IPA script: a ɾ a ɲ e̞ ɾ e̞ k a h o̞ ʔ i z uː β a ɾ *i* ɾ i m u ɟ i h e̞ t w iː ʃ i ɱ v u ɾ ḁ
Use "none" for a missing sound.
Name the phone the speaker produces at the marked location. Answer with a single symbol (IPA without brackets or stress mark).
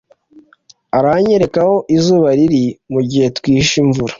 i